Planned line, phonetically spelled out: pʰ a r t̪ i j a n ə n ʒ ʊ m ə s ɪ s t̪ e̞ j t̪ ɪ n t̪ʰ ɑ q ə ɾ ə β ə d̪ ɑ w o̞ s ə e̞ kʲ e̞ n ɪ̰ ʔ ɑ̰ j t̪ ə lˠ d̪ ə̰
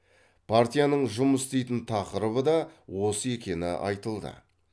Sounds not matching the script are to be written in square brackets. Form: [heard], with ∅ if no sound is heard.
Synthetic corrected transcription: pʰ a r t̪ i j a n ə [ɴ] ʒ ʊ m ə s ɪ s t̪ e̞ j t̪ ɪ n t̪ʰ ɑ q ə ɾ ə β ə d̪ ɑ w o̞ s ə e̞ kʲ e̞ n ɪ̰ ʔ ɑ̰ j t̪ ə lˠ d̪ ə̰